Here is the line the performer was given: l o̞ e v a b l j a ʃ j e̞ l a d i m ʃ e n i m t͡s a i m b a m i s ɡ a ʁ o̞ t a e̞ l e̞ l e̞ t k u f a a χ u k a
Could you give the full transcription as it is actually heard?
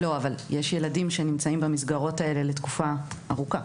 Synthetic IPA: l o̞ a v a l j e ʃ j e̞ l a d i m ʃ e n i m t͡s a i m b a m i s ɡ a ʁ o̞ t a e̞ l e̞ l e̞ t k u f a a ʁ u k a